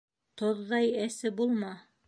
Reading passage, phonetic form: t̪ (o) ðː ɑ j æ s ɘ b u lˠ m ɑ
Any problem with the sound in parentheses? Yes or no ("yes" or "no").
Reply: no